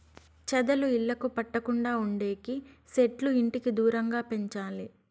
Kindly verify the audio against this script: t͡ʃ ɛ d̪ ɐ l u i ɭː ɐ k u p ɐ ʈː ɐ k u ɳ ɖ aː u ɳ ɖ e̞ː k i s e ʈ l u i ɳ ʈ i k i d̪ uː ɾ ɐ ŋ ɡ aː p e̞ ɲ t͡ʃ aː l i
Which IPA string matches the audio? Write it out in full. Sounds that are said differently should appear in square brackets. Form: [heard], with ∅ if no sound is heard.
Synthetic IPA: t͡ʃ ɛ d̪ ɐ l u i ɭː ɐ k u p ɐ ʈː ɐ k u ɳ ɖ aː u ɳ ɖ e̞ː k i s e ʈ l u i ɳ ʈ i k i d̪ uː ɾ ɐ ŋ ɡ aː p e̞ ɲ t͡ʃ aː l i

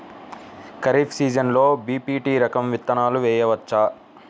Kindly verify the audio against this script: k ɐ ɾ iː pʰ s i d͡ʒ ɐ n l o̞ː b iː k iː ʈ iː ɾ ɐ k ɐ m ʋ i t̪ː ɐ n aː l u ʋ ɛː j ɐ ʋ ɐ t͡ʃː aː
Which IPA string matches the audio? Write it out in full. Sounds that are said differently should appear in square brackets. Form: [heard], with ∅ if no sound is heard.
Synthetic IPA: k ɐ ɾ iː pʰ s [iː] d͡ʒ ɐ n l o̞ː b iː [p] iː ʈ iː ɾ ɐ k ɐ m ʋ i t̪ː ɐ n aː l u ʋ ɛː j ɐ ʋ ɐ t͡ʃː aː

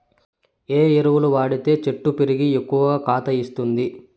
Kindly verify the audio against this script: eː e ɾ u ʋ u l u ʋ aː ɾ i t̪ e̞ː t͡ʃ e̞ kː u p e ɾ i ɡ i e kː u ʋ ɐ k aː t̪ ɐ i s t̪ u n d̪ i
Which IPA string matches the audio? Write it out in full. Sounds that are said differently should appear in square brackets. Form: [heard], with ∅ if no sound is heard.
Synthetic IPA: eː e ɾ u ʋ u l u ʋ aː [ɽ] i t̪ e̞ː t͡ʃ e̞ [ʈː] u p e ɾ i ɡ i e kː u ʋ ɐ k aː t̪ ɐ i s t̪ u n d̪ i

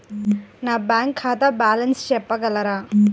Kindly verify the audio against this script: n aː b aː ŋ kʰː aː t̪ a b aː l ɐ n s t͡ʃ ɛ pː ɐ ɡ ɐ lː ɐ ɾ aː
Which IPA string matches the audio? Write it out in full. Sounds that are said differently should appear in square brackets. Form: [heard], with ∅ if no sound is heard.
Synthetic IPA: n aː b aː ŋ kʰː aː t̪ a b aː l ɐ n s t͡ʃ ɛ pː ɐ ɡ ɐ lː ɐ ɾ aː

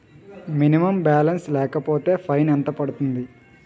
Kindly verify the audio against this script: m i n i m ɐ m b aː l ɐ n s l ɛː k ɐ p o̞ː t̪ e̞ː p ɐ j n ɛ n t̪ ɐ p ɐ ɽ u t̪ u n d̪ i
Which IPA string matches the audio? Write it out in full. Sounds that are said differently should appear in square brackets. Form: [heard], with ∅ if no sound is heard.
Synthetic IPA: m i n i m ɐ m b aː l ɐ n s l ɛː k ɐ p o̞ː t̪ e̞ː [pʰ] ɐ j n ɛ n t̪ ɐ p ɐ ɽ u t̪ u n d̪ i

